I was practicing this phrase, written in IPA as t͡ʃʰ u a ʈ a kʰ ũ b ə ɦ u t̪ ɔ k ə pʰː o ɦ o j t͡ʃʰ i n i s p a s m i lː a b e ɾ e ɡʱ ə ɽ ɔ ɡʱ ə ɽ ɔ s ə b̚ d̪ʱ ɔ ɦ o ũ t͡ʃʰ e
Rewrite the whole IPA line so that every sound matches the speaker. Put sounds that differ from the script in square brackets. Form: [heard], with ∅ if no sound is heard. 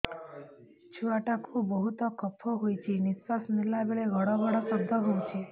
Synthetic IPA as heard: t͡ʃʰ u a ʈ a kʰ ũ b ə ɦ u t̪ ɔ k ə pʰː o ɦ o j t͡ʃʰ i n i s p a s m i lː a b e [ɭ] e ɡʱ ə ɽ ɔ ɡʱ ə ɽ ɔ s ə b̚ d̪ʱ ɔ ɦ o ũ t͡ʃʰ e